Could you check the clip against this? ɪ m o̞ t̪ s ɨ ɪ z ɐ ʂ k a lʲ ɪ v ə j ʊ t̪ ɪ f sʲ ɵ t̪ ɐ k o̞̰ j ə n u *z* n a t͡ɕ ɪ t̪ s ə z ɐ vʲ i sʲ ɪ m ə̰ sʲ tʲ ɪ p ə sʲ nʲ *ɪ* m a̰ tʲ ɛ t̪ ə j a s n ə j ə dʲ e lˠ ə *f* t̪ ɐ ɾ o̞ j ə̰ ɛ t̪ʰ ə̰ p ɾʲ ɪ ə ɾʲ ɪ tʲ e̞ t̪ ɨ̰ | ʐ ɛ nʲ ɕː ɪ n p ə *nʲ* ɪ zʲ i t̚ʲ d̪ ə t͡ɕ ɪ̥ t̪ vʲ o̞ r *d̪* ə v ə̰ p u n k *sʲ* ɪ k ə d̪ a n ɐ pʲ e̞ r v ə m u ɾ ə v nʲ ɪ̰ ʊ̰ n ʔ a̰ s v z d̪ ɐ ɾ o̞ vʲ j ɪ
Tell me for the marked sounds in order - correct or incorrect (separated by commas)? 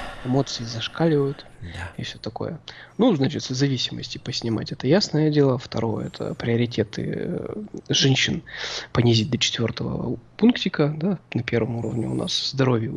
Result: correct, correct, correct, correct, incorrect, incorrect